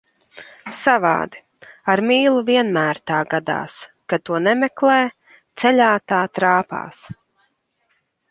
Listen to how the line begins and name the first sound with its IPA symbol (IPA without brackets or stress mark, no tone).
s